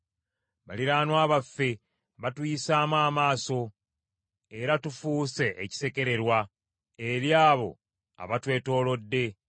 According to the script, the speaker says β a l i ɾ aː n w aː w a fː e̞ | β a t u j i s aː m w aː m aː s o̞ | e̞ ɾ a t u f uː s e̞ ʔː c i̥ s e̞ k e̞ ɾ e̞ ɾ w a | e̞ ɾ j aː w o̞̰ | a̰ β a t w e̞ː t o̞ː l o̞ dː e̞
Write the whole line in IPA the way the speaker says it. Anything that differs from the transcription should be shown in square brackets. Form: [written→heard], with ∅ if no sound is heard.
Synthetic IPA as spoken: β a l i ɾ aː n w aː [w→β] a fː e̞ | β a t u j i s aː m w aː m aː s o̞ | e̞ ɾ a t u f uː s e̞ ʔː c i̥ s e̞ k e̞ ɾ e̞ ɾ w a | e̞ ɾ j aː [w→β] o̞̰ | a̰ β a t w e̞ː t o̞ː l o̞ dː e̞